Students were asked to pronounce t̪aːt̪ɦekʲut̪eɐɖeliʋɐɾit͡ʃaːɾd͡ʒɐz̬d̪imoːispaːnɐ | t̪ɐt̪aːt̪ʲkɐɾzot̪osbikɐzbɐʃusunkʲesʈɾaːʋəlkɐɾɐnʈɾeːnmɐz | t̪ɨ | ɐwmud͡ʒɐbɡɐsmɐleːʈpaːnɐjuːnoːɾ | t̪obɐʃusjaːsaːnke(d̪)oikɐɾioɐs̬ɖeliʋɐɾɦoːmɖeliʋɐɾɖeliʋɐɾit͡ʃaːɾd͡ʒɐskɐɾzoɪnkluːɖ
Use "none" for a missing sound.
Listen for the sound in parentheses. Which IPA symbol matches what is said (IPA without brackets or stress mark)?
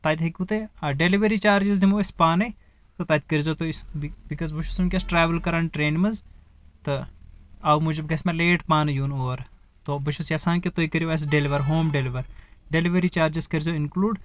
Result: t̪